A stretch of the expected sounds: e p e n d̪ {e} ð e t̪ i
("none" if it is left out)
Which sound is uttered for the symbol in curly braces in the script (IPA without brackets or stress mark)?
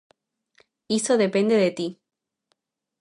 e